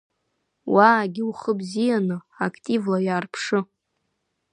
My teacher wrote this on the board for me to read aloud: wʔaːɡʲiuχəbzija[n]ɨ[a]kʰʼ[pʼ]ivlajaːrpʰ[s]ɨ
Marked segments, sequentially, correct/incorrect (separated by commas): correct, correct, incorrect, incorrect